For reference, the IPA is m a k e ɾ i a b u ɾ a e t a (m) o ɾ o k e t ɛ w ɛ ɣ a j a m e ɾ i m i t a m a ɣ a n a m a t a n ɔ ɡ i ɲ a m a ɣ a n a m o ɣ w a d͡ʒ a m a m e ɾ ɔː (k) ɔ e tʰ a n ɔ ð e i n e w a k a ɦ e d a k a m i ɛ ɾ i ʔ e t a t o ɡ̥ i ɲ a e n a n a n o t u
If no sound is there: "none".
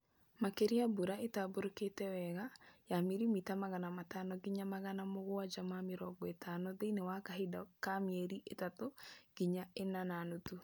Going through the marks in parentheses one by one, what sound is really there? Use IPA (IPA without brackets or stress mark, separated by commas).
b, ɡ